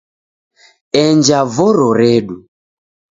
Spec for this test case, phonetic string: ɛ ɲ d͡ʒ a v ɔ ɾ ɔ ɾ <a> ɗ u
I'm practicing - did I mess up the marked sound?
yes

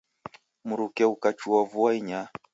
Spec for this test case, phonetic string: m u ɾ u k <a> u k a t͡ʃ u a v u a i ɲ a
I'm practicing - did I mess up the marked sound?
yes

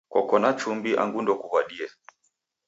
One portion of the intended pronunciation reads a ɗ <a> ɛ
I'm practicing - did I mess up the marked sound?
yes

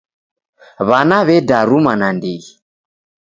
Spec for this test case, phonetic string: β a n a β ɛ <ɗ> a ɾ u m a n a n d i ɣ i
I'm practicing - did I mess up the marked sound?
yes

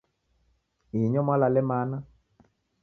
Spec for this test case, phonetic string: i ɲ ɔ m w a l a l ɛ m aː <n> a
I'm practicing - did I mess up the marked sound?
no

